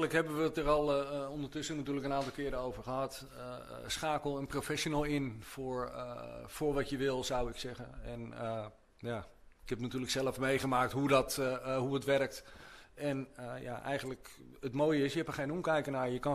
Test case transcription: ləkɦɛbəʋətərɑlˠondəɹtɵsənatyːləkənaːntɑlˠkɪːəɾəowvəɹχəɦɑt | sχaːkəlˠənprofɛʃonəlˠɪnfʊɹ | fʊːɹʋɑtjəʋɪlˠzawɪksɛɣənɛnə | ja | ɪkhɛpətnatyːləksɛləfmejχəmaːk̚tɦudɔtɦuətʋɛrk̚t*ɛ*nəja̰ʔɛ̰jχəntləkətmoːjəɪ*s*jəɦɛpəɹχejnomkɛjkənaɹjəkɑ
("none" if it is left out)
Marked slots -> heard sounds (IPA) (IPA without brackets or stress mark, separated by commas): ɛ, s